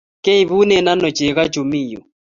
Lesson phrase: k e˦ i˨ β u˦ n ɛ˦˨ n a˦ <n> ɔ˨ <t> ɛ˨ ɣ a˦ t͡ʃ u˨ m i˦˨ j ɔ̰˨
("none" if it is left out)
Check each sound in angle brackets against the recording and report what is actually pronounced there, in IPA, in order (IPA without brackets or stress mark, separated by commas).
n, t͡ʃ